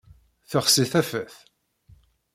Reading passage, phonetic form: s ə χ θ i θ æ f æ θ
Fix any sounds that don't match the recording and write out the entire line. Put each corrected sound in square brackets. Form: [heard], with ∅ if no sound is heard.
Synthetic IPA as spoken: [θ] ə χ [s] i θ æ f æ θ